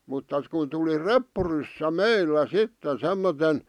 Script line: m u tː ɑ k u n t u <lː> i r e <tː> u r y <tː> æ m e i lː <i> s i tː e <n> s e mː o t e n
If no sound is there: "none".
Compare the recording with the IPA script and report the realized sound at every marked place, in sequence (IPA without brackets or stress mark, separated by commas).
l, pː, sː, æ, n